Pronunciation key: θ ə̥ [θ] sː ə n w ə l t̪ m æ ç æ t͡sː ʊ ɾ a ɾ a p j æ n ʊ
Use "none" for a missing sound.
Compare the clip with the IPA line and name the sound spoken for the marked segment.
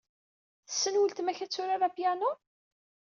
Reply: none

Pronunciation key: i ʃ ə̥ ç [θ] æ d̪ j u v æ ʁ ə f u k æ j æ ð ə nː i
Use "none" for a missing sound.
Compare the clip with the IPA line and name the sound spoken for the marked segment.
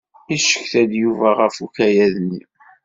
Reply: θ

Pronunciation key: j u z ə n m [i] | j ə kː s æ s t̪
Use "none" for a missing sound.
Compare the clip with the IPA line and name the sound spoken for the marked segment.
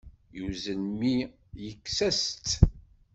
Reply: i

